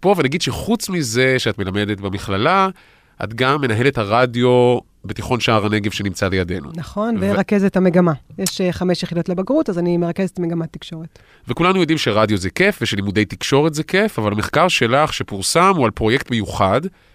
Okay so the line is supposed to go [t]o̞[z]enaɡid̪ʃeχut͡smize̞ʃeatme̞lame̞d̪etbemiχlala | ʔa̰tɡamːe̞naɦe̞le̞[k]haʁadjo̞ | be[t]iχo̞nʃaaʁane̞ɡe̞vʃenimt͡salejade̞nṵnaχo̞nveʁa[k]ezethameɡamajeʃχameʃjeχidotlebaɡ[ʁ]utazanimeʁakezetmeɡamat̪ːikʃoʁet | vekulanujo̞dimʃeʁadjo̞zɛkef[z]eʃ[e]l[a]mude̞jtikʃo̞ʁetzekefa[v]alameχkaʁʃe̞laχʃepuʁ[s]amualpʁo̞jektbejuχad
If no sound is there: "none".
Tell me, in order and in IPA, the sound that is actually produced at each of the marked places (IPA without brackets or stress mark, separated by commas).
p, v, t, t, k, ʁ, v, e, i, v, s